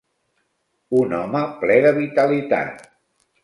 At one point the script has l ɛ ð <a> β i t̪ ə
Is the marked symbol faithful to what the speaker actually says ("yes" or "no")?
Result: no